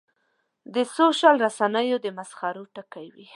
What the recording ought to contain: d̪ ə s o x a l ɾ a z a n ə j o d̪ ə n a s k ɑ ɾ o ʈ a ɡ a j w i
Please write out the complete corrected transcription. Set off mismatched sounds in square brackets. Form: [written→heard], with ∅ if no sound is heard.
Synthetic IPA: d̪ ə s o [x→ʃ] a l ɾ a [z→s] a n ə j o d̪ ə [n→m] a s [k→x] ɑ ɾ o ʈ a [ɡ→k] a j w i

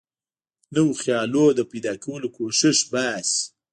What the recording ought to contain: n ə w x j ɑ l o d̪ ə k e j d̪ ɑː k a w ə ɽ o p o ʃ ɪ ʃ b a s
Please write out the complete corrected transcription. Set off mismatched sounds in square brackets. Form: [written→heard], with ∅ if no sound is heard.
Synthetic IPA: n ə w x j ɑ l o d̪ ə [k→p] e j d̪ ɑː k a w ə [ɽ→l] o [p→k] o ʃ ɪ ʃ b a s

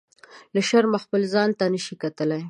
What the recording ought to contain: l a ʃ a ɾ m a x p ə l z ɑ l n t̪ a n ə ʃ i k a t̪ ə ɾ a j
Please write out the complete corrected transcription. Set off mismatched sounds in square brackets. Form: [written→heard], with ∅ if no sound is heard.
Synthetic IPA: l a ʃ a ɾ m a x p ə l z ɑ [l→∅] n t̪ a n ə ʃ i k a t̪ ə [ɾ→l] a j

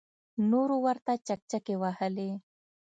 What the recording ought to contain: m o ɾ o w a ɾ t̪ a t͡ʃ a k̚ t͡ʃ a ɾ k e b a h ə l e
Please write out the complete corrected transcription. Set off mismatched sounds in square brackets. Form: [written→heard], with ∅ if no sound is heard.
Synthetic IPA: [m→n] o ɾ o w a ɾ t̪ a t͡ʃ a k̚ t͡ʃ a [ɾ→∅] k e [b→w] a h ə l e

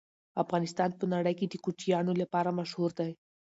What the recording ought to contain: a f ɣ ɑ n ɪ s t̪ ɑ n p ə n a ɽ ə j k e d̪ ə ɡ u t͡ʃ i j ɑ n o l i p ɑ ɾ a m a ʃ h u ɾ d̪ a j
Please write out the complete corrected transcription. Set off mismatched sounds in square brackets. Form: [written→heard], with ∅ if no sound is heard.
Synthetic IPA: a f ɣ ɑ n ɪ s t̪ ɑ n p ə n a ɽ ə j k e d̪ ə [ɡ→k] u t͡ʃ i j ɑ n o l [i→a] p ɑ ɾ a m a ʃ h u ɾ d̪ a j

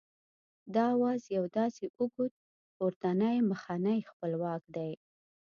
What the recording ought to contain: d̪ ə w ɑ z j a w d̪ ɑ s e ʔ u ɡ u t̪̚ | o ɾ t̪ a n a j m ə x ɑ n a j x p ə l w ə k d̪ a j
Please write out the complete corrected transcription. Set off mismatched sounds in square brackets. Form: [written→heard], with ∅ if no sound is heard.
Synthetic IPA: d̪ [ə→ɑ] w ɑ z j a w d̪ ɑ s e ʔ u ɡ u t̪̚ | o ɾ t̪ a n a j m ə x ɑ n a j x p ə l w [ə→ɑ] k d̪ a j

